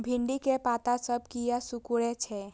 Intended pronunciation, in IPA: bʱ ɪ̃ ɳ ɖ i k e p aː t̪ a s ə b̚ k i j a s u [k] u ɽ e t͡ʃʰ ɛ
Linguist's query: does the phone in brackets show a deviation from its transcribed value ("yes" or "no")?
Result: no